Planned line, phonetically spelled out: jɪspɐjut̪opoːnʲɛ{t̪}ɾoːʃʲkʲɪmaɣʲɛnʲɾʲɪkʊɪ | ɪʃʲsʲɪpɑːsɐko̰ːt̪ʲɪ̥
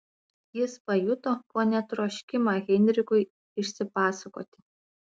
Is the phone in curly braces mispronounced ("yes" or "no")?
no